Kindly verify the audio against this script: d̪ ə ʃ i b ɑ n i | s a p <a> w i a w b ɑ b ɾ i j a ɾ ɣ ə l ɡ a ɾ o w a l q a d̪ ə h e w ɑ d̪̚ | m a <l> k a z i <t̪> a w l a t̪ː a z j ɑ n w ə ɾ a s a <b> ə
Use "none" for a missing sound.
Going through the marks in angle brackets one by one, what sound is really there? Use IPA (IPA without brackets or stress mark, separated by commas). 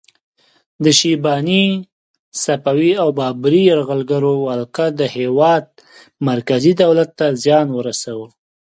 a, ɾ, d̪, w